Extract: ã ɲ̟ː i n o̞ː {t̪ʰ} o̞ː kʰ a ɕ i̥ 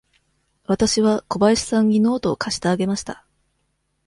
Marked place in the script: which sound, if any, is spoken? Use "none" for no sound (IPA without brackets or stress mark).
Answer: t̪